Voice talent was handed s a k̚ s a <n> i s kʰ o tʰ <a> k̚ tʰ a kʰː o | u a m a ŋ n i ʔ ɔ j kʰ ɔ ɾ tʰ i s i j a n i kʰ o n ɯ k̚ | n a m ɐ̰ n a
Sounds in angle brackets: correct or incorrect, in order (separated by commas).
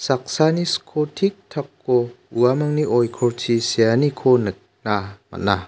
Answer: correct, incorrect